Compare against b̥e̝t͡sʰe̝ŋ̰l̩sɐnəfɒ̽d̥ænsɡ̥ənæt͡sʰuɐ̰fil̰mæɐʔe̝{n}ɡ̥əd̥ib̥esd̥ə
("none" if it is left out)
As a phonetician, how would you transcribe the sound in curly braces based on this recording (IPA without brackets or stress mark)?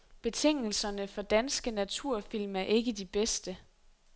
none